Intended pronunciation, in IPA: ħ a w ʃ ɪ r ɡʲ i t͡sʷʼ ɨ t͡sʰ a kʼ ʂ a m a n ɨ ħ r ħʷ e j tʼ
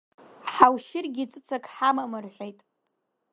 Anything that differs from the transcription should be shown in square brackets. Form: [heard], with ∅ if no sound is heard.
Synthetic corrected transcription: ħ a w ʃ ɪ r ɡʲ i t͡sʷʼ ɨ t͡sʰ a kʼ [ħ] a m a [m] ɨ [∅] r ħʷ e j tʼ